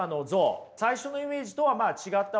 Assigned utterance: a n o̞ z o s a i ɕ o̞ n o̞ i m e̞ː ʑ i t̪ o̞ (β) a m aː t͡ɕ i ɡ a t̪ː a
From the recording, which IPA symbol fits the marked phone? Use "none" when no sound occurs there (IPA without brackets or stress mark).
β